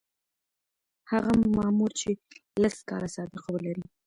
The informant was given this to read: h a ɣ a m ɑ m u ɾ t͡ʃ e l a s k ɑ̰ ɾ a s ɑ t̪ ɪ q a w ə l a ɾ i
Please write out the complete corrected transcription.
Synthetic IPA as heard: h a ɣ a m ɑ m u ɾ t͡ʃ e l a s k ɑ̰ ɾ a s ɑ d̪ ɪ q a w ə l a ɾ i